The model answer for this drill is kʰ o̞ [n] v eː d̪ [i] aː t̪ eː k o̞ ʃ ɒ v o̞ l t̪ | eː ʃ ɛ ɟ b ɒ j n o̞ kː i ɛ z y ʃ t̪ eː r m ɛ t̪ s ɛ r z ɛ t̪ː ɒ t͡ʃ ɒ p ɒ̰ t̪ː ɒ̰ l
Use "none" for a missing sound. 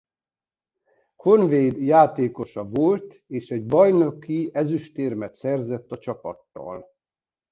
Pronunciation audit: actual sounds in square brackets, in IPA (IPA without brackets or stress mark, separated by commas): n, j